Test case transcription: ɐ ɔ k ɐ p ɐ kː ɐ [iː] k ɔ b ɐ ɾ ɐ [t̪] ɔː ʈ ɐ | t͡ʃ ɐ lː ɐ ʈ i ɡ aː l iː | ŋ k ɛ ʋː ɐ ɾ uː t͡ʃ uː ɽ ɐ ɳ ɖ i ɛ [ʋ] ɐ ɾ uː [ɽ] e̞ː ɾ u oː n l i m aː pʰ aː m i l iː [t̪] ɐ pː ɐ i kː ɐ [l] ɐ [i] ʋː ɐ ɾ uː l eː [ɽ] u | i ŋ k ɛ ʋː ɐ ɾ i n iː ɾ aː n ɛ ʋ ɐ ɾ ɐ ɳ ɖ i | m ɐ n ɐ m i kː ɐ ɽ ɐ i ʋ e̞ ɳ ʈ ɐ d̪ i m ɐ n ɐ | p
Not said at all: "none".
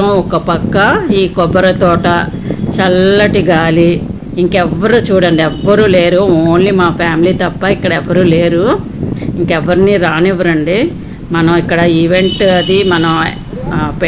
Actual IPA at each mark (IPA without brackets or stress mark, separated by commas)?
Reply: iː, t̪, ʋː, l, t̪, ɽ, ɛ, ɾ